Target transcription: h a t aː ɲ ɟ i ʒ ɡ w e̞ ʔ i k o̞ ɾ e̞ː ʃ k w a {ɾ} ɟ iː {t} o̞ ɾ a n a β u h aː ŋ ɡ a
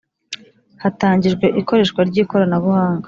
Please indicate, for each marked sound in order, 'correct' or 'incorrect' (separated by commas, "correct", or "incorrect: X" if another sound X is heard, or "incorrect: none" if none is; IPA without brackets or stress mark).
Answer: correct, incorrect: k